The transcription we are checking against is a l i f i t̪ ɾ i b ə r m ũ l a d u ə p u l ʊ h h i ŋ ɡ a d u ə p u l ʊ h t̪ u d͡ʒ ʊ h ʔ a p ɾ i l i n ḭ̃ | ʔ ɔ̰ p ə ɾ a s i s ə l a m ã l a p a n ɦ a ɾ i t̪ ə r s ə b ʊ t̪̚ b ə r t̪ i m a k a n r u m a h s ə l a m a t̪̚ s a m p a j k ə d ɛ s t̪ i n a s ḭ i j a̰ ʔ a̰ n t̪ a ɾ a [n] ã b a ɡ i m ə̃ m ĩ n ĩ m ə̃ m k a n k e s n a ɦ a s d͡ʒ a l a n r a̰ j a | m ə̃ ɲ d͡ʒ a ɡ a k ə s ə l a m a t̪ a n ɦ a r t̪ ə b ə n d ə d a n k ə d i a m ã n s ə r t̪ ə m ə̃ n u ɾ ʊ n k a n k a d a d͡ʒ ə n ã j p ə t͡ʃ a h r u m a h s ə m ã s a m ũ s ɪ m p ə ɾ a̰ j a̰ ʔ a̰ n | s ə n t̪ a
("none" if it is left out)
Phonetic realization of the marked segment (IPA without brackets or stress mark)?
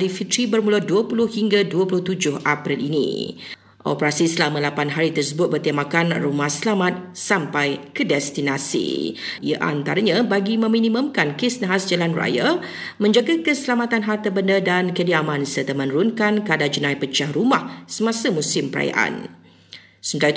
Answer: ɲ